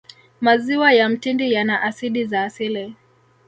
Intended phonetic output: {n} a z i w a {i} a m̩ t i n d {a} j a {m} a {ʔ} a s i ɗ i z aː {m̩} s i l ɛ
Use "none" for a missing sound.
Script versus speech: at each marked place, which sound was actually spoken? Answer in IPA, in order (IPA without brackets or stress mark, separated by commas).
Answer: m, j, i, n, ʔ, none